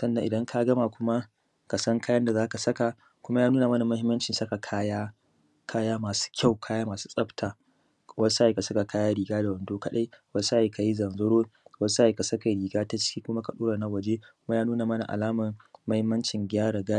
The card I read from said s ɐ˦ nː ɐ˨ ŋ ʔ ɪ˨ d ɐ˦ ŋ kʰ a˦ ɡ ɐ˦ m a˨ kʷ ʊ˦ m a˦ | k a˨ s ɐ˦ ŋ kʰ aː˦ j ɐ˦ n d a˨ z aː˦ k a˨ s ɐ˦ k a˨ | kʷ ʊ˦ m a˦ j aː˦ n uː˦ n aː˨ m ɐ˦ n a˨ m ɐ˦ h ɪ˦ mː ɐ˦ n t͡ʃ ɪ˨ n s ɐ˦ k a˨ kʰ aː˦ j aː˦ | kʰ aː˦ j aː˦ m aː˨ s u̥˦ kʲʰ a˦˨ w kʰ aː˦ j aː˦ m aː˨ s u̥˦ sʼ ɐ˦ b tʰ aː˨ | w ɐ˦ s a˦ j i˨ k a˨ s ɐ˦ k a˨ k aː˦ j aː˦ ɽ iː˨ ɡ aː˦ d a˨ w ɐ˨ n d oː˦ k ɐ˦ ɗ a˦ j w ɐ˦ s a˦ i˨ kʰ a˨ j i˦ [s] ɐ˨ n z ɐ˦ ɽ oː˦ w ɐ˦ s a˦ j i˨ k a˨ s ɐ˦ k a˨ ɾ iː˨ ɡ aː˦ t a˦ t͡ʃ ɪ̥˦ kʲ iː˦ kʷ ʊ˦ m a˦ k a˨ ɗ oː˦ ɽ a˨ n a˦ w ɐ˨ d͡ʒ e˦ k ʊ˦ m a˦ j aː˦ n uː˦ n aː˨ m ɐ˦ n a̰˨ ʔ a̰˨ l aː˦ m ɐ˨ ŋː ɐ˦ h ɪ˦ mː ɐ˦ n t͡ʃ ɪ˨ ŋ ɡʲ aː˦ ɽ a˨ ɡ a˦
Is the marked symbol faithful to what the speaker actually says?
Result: no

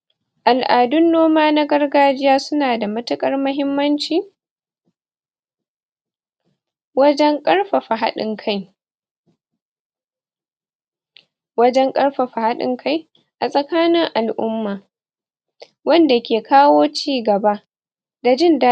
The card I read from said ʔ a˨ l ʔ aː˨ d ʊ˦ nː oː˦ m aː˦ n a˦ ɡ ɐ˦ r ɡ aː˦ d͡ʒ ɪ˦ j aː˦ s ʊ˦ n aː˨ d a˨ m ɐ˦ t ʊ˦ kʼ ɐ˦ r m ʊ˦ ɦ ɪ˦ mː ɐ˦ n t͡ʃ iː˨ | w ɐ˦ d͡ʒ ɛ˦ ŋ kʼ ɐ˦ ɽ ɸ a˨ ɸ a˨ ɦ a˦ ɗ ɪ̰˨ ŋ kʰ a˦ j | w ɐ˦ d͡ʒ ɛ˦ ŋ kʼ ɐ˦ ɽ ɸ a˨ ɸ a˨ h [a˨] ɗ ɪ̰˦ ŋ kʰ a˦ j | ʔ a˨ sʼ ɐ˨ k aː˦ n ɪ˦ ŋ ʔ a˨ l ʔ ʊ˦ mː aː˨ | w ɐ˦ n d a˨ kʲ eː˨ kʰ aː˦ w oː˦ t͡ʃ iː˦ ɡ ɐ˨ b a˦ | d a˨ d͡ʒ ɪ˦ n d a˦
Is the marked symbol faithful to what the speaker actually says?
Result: no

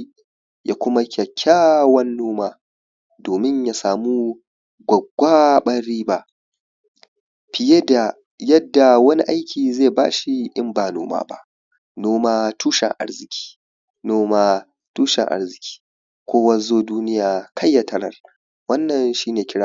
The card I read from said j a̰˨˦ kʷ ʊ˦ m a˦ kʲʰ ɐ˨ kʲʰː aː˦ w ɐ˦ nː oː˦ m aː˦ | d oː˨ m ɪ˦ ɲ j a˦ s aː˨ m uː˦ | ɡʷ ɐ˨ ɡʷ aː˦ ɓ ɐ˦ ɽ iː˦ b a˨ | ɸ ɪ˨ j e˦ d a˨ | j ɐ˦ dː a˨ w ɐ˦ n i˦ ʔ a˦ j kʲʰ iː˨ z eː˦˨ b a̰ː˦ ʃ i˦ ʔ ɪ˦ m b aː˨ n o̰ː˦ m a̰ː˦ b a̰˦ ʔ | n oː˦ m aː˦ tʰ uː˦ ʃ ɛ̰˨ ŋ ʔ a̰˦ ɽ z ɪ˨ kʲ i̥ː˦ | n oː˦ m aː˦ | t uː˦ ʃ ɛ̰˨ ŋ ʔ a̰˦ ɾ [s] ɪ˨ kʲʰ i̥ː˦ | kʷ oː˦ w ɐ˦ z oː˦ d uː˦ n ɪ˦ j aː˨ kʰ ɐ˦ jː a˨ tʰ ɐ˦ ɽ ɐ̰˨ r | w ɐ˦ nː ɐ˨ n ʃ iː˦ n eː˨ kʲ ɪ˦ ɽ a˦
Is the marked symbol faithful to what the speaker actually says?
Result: no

